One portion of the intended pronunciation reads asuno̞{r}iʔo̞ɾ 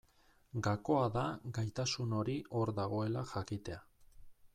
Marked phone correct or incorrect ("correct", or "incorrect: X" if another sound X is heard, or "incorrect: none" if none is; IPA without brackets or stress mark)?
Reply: incorrect: ɾ